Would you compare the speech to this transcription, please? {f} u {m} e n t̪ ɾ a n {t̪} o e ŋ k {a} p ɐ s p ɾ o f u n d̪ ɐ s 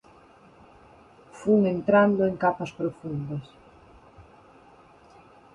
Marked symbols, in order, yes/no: yes, no, no, yes

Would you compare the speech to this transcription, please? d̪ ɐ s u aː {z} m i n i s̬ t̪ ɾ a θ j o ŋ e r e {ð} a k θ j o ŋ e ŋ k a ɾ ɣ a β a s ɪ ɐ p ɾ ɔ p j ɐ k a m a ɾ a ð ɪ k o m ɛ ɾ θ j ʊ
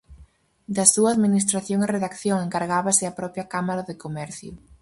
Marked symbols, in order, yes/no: no, yes

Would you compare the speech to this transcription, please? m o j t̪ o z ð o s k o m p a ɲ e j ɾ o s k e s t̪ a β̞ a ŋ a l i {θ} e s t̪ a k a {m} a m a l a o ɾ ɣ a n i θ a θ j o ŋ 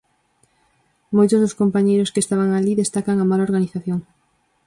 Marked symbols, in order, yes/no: no, no

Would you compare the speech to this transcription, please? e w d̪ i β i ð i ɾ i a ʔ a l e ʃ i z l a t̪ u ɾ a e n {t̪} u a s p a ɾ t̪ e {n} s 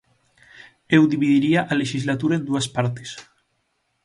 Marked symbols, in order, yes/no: no, no

